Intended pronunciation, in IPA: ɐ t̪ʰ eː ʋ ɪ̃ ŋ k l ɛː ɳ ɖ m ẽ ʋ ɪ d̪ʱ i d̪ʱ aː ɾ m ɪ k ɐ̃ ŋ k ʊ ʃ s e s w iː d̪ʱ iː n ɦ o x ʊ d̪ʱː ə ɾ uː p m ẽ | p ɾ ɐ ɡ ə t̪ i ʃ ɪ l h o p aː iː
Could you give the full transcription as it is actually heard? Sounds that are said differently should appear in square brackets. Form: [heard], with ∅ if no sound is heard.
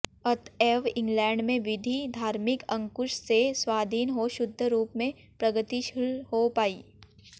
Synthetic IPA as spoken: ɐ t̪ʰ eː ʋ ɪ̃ ŋ [ɡ] l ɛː ɳ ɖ m ẽ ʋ ɪ d̪ʱ i d̪ʱ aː ɾ m ɪ k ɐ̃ ŋ k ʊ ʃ s e s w [aː] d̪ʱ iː n ɦ o [ʃ] ʊ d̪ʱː ə ɾ uː p m ẽ | p ɾ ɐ ɡ ə t̪ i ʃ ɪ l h o p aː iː